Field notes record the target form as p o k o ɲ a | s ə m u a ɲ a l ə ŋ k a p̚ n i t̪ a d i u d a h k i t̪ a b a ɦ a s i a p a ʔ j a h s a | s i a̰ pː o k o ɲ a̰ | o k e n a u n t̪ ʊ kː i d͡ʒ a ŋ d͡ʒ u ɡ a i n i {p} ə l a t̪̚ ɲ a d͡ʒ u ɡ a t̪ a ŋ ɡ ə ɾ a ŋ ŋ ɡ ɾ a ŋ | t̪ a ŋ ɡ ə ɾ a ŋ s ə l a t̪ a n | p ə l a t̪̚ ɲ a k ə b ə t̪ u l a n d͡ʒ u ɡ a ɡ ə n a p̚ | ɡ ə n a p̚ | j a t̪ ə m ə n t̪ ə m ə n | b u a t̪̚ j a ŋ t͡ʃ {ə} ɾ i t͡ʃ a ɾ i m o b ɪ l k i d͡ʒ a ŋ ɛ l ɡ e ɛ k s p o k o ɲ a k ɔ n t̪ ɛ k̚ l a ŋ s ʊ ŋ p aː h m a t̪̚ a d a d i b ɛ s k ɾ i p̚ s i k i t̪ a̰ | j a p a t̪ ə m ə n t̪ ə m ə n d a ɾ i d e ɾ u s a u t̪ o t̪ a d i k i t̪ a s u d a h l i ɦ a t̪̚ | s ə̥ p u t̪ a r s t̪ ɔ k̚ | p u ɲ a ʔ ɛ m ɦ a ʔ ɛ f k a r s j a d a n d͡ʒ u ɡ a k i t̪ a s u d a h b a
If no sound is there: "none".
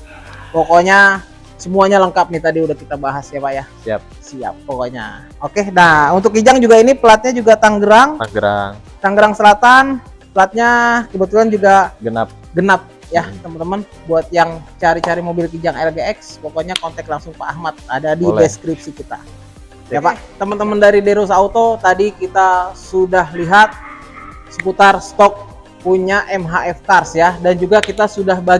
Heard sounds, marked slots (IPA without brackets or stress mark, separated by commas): p, a